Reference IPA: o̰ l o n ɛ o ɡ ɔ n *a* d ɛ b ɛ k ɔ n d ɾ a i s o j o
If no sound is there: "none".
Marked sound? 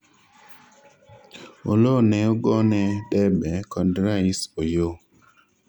ɛ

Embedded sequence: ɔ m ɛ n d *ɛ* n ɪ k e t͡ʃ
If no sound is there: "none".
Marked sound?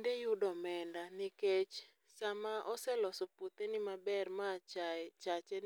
a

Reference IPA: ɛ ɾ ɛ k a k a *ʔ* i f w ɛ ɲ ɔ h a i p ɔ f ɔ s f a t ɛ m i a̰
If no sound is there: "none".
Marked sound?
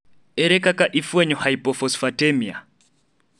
ʔ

